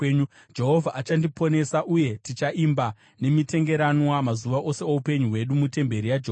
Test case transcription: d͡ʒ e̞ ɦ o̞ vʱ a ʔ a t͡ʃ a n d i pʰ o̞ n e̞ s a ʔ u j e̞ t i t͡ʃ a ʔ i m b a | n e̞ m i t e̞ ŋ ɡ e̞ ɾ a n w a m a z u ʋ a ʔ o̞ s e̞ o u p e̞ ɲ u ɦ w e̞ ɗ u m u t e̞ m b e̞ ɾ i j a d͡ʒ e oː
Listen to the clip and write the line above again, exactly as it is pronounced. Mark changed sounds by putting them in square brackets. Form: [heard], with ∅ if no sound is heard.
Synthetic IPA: d͡ʒ e̞ ɦ o̞ vʱ a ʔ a t͡ʃ a n d i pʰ o̞ n e̞ s a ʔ u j e̞ t i t͡ʃ a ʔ i m b a | n e̞ m i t e̞ ŋ ɡ e̞ ɾ a n w a m a z u ʋ a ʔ o̞ s e̞ o u p e̞ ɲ u ɦ w e̞ ɗ u m u t e̞ m b e̞ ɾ i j a d͡ʒ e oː